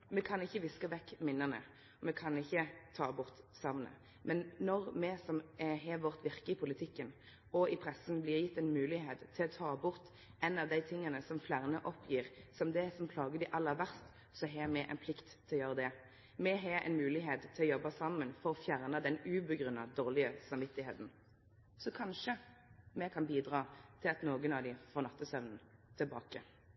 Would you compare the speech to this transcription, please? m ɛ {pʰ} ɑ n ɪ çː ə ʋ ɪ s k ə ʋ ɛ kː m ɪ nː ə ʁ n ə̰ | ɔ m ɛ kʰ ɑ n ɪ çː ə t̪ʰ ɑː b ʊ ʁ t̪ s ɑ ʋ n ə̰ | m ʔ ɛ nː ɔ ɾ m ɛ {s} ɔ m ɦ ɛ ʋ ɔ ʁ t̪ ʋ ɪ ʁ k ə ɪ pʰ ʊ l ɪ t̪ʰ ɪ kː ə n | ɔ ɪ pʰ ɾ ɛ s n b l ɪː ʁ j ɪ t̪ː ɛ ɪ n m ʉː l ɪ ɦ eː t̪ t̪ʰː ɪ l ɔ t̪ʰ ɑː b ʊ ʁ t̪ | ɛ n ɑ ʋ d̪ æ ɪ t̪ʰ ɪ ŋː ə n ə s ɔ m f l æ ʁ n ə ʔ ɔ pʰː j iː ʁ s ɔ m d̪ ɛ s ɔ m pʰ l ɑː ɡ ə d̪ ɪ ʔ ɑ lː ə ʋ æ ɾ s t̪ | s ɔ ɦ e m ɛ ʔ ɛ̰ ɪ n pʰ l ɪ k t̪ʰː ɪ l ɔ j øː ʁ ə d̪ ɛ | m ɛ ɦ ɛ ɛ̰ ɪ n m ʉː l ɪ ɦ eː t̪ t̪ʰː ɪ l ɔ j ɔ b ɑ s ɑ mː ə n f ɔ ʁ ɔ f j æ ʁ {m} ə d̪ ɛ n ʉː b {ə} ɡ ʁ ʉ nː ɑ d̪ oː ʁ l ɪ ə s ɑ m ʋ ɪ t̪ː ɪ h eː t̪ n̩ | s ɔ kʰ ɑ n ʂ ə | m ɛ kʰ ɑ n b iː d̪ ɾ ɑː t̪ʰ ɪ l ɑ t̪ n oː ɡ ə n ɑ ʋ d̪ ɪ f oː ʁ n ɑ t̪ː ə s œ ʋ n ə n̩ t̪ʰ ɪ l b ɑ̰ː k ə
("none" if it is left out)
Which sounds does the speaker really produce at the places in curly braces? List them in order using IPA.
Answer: kʰ, s, n, ə

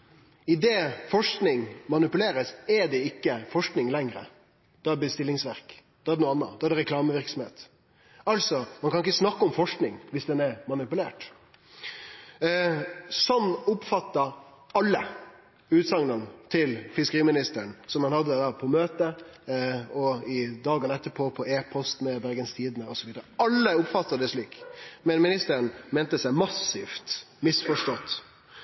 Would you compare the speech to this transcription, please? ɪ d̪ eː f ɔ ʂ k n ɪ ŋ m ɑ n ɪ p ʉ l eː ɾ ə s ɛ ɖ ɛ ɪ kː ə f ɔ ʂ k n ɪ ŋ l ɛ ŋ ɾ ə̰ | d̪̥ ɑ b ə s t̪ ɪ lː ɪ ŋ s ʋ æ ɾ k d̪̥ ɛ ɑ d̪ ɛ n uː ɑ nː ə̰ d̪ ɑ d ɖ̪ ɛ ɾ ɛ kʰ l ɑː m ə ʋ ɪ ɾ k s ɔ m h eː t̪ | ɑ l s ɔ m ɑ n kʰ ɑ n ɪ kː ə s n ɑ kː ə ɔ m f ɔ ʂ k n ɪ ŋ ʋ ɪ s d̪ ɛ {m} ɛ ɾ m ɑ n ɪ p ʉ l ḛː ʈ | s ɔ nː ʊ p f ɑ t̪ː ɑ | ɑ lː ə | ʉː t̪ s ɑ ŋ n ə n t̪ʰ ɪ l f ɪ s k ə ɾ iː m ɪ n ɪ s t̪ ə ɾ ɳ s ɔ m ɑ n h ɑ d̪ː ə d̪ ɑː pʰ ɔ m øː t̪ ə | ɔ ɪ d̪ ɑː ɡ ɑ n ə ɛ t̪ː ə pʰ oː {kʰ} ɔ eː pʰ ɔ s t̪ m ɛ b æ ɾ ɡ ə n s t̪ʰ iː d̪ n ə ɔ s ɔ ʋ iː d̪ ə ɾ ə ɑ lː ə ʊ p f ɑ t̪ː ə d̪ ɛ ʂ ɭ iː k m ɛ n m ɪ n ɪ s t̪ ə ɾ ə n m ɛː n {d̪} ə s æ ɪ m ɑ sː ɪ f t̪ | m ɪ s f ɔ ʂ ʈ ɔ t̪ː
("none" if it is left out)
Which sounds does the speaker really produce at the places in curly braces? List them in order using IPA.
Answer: n, pʰ, t̪

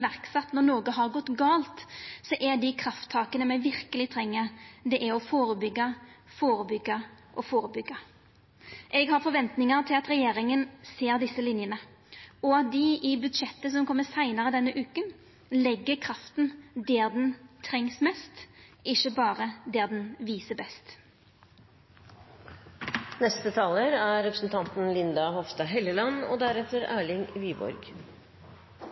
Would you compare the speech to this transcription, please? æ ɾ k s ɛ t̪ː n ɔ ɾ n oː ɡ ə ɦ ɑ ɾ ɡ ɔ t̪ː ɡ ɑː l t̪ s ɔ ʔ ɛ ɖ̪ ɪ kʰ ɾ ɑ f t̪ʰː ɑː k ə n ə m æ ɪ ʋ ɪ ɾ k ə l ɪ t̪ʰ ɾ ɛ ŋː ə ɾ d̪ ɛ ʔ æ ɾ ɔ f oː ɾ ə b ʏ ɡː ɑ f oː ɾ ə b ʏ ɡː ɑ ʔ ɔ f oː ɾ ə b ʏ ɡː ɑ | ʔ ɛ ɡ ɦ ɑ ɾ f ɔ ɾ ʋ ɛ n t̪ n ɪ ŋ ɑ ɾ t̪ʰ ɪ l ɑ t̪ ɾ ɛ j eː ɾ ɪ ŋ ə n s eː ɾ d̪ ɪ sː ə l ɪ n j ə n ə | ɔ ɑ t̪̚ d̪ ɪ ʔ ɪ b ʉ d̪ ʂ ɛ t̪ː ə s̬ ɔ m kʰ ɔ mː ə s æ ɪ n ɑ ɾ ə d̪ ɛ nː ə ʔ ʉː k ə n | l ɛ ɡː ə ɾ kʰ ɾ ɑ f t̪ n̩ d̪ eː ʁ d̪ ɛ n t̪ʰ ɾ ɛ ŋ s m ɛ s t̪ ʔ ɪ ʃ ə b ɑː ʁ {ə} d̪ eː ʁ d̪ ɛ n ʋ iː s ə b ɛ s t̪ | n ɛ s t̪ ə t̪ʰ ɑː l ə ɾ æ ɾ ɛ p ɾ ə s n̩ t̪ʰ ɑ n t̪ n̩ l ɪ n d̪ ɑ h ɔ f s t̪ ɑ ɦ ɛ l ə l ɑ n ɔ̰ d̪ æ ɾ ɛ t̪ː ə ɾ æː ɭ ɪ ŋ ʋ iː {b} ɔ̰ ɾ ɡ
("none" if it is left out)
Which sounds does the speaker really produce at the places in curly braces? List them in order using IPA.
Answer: ə, b

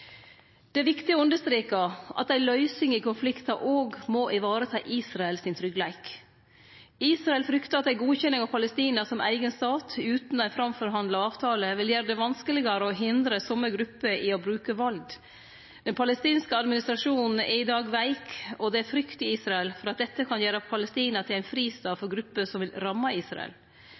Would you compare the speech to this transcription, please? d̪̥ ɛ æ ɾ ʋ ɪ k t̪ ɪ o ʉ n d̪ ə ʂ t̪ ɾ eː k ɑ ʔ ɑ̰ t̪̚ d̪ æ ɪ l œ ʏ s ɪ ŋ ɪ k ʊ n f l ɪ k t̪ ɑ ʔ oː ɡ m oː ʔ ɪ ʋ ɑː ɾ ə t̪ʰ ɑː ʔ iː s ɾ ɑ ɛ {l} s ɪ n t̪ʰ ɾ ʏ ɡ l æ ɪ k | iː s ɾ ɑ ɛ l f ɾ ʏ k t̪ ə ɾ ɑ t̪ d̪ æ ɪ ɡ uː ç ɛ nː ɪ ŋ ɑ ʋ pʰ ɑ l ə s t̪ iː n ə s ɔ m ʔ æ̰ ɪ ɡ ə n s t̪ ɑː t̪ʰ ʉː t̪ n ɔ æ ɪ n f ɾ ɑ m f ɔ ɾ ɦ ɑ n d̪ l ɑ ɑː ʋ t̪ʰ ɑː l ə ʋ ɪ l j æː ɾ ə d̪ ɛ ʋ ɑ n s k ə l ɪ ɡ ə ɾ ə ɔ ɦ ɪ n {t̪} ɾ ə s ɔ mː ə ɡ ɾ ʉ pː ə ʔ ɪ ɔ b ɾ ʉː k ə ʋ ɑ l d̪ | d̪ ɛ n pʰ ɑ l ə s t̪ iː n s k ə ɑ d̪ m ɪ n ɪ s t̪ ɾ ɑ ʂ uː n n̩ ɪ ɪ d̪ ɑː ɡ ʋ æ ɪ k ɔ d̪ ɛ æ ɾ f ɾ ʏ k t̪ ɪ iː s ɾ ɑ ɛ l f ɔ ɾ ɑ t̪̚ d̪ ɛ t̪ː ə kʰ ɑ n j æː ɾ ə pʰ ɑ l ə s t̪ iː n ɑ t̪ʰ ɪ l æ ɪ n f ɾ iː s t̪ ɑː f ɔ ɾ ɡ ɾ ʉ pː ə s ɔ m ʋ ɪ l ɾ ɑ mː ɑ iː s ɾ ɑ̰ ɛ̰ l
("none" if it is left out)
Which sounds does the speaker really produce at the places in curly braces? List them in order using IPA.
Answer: l, d̪

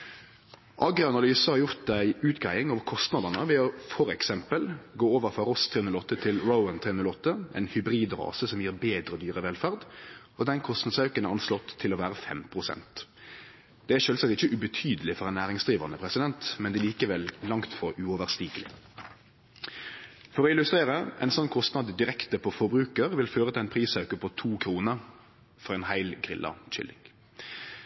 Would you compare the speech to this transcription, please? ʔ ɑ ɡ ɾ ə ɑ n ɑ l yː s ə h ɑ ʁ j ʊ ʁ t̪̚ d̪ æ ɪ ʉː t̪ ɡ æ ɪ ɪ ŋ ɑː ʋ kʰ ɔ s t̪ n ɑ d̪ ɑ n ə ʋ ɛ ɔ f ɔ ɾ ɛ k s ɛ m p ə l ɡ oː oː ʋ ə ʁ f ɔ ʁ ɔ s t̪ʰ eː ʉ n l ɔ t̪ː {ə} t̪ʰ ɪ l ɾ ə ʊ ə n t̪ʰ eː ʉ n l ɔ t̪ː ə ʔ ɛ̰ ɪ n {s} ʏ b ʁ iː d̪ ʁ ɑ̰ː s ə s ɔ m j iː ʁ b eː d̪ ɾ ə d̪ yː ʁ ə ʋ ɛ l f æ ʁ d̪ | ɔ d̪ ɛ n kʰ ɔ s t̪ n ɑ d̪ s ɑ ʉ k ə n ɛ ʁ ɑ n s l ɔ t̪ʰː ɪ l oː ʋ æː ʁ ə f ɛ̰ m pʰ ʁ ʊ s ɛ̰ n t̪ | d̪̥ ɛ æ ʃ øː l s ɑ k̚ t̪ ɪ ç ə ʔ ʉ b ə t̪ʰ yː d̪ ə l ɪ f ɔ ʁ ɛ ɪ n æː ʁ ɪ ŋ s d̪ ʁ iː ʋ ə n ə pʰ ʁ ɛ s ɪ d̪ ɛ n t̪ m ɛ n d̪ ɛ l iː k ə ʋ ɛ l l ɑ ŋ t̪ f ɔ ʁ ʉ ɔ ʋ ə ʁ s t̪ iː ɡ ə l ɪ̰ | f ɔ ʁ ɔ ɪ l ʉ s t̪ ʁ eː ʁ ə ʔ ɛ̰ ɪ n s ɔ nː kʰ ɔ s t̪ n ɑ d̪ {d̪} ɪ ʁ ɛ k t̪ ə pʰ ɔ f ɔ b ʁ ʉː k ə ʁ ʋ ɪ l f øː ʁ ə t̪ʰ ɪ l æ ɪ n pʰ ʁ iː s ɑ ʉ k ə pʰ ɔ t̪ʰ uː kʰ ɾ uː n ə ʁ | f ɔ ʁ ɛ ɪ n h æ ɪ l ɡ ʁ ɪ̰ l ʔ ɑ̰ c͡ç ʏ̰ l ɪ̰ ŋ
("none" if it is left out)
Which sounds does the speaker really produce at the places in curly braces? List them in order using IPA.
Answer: ə, h, d̪

